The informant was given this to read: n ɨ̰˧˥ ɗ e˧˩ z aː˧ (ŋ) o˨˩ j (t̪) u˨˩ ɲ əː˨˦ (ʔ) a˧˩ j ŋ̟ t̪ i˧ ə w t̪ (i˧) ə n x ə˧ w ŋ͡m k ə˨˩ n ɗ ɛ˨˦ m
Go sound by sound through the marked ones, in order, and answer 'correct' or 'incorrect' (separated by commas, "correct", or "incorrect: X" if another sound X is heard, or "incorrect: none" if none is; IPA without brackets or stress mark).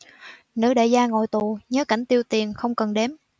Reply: correct, correct, incorrect: k, incorrect: i˨˩